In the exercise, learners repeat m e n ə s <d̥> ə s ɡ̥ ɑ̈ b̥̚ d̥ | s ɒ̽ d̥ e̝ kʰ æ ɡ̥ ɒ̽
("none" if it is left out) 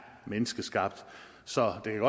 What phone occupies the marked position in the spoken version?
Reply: ɡ̥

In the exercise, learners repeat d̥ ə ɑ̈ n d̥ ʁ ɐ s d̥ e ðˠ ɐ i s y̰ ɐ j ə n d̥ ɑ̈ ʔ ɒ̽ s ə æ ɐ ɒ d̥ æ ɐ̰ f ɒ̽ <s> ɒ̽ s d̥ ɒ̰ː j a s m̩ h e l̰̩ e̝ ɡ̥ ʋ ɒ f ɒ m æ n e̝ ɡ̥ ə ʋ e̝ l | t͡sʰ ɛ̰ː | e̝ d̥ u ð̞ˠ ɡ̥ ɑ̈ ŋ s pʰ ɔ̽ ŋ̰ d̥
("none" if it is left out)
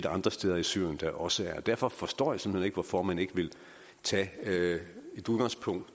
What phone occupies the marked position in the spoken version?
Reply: f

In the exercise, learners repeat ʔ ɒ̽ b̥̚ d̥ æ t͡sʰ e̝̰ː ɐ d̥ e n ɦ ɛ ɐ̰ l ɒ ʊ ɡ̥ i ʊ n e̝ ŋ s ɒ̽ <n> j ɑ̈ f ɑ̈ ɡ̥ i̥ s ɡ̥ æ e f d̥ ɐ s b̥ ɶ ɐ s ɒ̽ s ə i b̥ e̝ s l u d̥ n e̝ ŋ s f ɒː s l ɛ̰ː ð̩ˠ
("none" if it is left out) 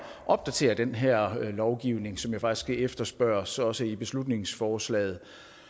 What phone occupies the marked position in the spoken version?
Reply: m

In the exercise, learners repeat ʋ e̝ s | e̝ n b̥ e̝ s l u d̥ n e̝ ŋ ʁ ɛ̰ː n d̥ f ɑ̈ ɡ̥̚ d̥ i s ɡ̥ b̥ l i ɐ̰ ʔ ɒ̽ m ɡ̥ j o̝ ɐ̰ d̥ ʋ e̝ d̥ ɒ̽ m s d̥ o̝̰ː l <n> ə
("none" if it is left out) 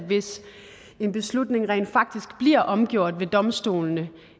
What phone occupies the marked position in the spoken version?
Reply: n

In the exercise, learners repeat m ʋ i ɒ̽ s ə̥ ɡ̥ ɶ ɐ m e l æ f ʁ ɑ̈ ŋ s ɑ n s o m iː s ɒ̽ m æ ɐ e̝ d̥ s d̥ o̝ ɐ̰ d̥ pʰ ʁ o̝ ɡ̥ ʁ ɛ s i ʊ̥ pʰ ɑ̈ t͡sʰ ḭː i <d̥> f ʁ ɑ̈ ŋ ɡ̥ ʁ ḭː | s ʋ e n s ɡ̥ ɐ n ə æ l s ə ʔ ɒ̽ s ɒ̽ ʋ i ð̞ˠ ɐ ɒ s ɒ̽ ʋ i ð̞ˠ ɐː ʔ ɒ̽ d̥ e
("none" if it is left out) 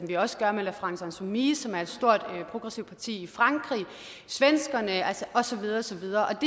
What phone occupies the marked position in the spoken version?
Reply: none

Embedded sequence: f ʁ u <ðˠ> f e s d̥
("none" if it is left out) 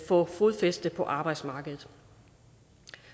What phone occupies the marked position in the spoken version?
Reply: ðˠ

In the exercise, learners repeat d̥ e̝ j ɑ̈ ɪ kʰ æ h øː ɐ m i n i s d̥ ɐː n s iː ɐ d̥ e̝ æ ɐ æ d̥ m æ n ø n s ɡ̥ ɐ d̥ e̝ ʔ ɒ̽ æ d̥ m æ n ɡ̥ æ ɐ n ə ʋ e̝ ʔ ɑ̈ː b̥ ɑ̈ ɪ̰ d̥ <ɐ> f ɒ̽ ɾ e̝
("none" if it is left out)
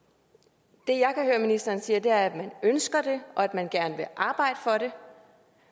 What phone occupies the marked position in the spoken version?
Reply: ə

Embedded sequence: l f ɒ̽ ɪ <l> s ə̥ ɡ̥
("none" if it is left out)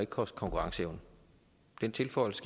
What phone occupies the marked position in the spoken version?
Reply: l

